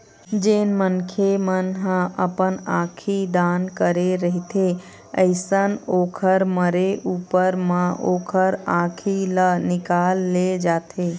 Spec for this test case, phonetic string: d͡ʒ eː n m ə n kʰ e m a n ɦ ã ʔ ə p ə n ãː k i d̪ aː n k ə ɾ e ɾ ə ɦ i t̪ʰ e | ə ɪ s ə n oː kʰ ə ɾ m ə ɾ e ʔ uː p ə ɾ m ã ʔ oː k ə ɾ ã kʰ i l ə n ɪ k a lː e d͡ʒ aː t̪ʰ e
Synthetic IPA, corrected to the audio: d͡ʒ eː n m ə n kʰ e m ə n ɦ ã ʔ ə p ə n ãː kʰ i d̪ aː n k ə ɾ e ɾ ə ɦ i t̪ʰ e | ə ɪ s ə n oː kʰ ə ɾ m ə ɾ e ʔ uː p ə ɾ m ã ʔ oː kʰ ə ɾ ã kʰ i l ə n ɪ k a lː e d͡ʒ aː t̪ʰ e